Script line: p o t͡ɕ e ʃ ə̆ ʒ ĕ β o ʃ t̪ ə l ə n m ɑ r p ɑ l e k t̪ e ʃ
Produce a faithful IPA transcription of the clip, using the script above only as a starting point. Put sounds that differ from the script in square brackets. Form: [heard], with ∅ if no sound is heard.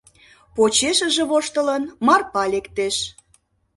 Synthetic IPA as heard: p o t͡ɕ e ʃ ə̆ ʒ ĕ β o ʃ t̪ ə l ə n m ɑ r p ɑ l e k t̪ e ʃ